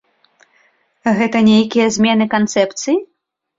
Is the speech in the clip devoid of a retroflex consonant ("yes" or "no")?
yes